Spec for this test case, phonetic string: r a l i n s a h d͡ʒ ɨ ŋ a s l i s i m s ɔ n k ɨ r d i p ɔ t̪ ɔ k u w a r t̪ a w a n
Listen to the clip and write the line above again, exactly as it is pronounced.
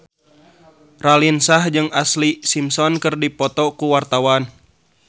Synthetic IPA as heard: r a l i n s a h d͡ʒ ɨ ŋ a s l i s i m s ɔ n k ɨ r d i p ɔ t̪ ɔ k u w a r t̪ a w a n